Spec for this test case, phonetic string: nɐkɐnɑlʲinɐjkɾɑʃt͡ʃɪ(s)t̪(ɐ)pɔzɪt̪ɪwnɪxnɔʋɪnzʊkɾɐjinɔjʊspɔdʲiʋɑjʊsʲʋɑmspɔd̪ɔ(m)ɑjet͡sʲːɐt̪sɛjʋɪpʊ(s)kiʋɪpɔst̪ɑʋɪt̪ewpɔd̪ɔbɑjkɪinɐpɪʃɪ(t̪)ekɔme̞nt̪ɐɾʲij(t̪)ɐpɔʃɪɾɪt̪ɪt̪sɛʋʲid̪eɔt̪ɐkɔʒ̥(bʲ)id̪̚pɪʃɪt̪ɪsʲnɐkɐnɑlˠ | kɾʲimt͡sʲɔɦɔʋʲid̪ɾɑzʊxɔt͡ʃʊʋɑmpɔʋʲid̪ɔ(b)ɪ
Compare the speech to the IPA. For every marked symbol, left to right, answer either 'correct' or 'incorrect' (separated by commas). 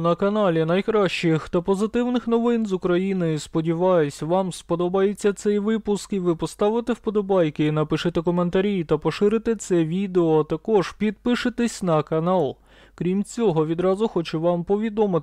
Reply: incorrect, correct, incorrect, correct, correct, correct, incorrect, incorrect